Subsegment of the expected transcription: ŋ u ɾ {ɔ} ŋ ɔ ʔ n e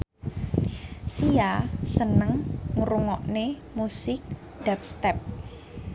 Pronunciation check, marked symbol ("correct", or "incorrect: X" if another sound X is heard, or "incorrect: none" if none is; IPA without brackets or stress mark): incorrect: u